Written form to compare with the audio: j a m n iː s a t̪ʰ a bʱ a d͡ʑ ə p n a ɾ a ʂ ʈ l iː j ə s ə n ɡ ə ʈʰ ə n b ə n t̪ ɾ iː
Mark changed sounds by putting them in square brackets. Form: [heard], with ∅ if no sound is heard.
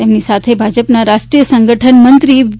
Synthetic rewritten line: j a m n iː s a t̪ʰ [e] bʱ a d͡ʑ ə p n a ɾ a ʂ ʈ [ɾ] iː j ə s ə [ŋ] ɡ ə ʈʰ ə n [m] ə n t̪ ɾ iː